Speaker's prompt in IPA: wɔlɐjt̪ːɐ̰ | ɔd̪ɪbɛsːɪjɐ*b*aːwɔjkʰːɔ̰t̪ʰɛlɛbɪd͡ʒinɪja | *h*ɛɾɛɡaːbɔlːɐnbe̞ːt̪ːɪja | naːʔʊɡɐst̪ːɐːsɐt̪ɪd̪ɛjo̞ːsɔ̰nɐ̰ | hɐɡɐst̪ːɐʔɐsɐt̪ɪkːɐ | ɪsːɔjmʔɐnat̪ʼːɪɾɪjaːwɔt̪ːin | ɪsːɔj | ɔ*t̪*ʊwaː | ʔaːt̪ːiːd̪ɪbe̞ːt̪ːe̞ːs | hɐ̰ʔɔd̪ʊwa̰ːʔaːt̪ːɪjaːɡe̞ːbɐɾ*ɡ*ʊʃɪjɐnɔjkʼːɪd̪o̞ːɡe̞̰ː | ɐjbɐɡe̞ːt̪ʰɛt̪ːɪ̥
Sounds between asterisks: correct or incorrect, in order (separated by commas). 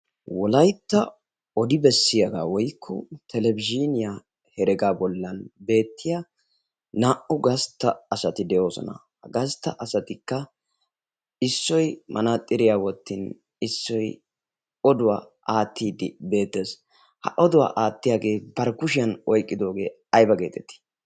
incorrect, correct, incorrect, incorrect